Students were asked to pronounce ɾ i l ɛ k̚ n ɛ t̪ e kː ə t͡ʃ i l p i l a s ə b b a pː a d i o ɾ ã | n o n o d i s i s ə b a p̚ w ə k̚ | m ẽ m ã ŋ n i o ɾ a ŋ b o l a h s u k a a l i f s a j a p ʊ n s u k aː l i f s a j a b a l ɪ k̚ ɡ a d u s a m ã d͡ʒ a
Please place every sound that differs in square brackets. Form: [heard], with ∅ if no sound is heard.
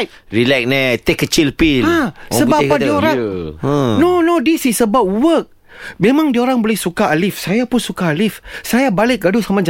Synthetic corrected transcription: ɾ i l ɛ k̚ n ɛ t̪ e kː ə t͡ʃ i l p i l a s ə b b a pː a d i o ɾ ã | n o n o d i s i s ə b a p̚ w ə k̚ | m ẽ m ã ŋ [d] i o ɾ a ŋ b o l [ɛ] h s u k a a l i f s a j a p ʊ n s u k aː l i f s a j a b a l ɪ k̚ ɡ a d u s a m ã d͡ʒ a